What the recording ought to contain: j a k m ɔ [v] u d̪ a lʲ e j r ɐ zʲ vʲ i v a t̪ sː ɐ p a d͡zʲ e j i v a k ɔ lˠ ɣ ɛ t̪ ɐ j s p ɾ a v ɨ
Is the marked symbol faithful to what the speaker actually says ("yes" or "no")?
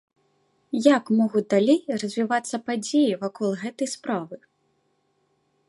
no